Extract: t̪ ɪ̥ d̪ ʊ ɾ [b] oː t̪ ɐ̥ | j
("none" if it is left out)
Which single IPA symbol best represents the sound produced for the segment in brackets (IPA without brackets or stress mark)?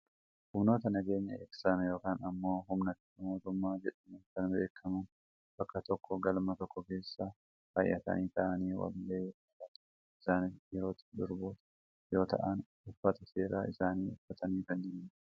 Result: b